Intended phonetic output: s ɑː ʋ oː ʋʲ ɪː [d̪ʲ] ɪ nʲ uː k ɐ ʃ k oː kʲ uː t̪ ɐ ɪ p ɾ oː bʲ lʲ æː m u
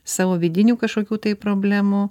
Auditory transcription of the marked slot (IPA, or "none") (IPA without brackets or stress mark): d̪ʲ